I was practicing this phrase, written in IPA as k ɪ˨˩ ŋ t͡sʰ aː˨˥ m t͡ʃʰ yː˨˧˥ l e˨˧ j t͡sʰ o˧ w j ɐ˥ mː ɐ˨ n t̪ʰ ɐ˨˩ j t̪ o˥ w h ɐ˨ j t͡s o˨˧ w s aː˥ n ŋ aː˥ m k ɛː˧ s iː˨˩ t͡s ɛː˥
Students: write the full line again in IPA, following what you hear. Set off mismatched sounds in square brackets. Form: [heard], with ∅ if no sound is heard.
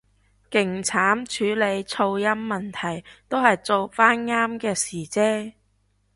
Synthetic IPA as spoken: k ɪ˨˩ ŋ t͡sʰ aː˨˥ m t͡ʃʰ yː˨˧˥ l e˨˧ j t͡sʰ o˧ w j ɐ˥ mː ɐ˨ n t̪ʰ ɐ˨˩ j t̪ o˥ w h ɐ˨ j t͡s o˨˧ w [f] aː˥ n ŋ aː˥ m k ɛː˧ s iː˨˩ t͡s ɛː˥